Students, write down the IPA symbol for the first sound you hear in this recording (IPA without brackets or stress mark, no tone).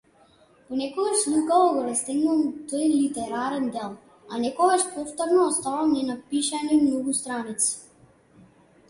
p